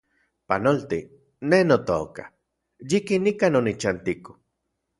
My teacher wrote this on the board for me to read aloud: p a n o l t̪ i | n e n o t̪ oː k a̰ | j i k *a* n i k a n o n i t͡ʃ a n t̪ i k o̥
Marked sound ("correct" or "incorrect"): incorrect